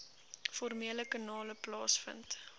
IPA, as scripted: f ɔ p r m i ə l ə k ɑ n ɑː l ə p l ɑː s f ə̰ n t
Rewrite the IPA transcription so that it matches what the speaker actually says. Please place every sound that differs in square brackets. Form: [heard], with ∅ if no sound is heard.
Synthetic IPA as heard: f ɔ [∅] r m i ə l ə k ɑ n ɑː l ə p l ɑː s f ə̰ n t